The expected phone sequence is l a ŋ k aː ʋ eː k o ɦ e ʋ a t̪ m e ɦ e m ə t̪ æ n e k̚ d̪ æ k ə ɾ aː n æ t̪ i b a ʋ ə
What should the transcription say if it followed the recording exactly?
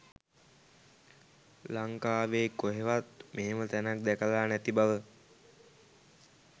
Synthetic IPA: l a ŋ k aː ʋ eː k o ɦ e ʋ a t̪ m e ɦ e m ə t̪ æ n a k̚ d̪ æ k ə l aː n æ t̪ i b a ʋ ə